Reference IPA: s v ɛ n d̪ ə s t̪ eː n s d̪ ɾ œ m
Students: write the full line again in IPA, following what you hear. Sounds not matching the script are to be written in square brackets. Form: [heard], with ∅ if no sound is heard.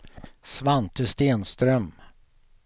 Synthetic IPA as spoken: s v [a] n [t̪] ə s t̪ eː n s [t̪] ɾ œ m